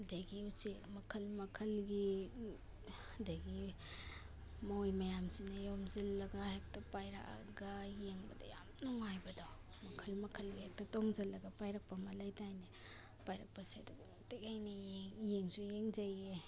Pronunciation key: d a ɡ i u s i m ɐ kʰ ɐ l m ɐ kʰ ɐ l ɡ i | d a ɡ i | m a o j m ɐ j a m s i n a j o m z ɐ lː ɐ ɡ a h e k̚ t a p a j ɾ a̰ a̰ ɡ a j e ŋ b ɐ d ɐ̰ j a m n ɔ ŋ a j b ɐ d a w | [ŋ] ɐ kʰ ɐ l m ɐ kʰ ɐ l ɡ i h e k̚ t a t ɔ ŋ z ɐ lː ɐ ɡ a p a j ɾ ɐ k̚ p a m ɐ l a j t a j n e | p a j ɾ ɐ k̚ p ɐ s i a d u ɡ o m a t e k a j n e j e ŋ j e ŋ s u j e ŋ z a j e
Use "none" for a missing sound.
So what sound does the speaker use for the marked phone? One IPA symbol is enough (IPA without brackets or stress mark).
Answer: m